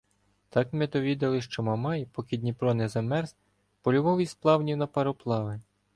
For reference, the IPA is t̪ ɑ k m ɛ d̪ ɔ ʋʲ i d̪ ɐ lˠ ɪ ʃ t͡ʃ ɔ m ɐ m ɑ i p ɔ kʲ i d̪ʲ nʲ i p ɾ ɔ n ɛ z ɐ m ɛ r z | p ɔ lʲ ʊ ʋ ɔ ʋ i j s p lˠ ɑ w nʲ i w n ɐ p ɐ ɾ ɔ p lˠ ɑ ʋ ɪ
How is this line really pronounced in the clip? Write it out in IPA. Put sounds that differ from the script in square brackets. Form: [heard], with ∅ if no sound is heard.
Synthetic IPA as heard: t̪ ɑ k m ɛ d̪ ɔ ʋʲ i d̪ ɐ lˠ ɪ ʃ t͡ʃ ɔ m ɐ m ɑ [j] p ɔ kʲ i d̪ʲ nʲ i p ɾ ɔ n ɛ z ɐ m ɛ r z | p ɔ lʲ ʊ ʋ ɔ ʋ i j s p lˠ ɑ w nʲ i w n ɐ p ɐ ɾ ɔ p lˠ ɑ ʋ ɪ